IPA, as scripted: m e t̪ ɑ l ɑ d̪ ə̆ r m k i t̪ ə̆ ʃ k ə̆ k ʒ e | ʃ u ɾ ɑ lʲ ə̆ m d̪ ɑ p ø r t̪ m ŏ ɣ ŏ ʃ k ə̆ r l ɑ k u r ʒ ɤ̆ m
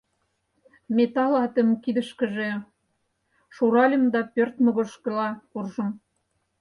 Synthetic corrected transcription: m e t̪ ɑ l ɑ t̪ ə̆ m k i d̪ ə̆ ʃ k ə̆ ʒ e | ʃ u ɾ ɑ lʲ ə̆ m d̪ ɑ p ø r t̪ m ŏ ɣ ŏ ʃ k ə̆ l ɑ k u r ʒ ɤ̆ m